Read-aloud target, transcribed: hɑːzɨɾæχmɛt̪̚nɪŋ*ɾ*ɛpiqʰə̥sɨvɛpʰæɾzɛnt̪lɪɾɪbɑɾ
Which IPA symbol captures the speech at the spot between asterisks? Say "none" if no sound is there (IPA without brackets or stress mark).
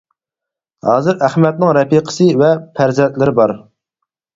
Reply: ɾ